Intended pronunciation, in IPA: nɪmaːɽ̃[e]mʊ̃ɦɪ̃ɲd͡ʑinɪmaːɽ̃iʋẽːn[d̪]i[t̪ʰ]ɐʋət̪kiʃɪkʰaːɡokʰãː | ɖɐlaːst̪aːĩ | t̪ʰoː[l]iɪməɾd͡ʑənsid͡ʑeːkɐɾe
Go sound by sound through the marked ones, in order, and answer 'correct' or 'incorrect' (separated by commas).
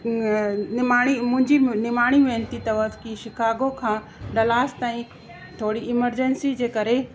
incorrect, incorrect, incorrect, incorrect